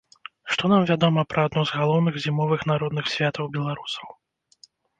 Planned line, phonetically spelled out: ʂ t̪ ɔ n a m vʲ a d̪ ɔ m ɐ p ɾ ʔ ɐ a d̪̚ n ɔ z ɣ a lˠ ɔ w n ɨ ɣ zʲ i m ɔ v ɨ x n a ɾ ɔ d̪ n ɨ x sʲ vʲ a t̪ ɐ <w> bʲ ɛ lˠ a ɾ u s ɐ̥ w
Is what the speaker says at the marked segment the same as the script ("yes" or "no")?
yes